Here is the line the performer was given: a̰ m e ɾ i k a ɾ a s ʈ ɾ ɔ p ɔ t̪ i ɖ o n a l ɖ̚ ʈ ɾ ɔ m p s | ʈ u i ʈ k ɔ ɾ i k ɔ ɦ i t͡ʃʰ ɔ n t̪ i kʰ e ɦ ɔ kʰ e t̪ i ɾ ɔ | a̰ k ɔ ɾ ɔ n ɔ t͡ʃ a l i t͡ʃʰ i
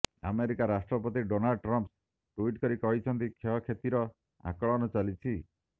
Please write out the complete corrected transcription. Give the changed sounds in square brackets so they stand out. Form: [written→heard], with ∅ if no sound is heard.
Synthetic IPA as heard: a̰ m e ɾ i k a ɾ a s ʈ ɾ ɔ p ɔ t̪ i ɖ o n a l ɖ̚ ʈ ɾ ɔ m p s | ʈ u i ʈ k ɔ ɾ i k ɔ ɦ i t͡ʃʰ ɔ n t̪ i kʰ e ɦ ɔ kʰ e t̪ i ɾ ɔ | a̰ k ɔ [ɾ→ɭ] ɔ n ɔ t͡ʃ a l i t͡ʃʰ i